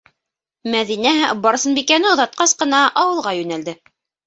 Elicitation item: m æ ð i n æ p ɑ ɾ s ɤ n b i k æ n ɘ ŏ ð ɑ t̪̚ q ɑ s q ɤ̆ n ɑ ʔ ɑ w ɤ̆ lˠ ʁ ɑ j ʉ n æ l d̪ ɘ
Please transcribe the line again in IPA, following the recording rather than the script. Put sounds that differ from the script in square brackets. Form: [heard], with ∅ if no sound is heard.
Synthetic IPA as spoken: m æ ð i n æ [b] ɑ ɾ s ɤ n b i k æ n ɘ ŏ ð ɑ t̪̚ q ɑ s q ɤ̆ n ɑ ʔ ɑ w ɤ̆ lˠ ʁ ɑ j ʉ n æ l d̪ ɘ